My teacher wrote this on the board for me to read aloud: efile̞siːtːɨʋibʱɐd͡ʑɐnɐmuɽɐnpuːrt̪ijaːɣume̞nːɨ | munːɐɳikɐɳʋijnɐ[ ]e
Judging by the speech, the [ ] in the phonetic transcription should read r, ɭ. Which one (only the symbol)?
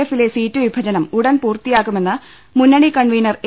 r